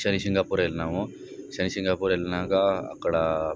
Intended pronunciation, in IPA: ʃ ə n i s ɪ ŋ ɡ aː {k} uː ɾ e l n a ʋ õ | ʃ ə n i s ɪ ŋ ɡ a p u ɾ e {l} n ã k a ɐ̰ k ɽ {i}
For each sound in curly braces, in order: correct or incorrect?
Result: incorrect, correct, incorrect

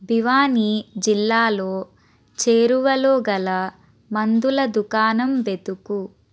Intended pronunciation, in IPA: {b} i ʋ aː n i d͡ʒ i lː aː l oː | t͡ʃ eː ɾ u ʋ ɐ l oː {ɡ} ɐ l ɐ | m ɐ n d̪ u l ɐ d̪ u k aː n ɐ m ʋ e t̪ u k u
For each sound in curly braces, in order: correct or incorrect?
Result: correct, correct

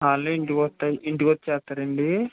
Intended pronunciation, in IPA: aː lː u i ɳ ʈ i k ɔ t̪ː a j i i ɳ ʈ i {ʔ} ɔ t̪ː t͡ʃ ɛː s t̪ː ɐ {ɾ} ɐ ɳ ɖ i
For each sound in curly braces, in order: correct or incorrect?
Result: incorrect, correct

